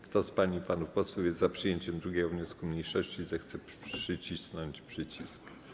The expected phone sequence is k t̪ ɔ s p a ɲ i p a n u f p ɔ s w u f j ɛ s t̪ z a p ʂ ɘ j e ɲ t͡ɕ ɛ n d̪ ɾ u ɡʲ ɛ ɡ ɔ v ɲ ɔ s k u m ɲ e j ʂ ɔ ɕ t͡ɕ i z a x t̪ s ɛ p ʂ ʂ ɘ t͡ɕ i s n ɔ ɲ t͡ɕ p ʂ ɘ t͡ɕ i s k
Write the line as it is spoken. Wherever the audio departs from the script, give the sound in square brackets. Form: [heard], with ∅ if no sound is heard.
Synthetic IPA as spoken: k t̪ ɔ s p a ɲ i p a n u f p ɔ s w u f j ɛ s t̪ z a p ʂ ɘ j e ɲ t͡ɕ ɛ [m] d̪ ɾ u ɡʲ ɛ ɡ ɔ v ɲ ɔ s k u m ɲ e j ʂ ɔ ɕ t͡ɕ i z [ɛ] x t̪ s ɛ p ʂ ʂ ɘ t͡ɕ i s n ɔ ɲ t͡ɕ p ʂ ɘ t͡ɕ i s k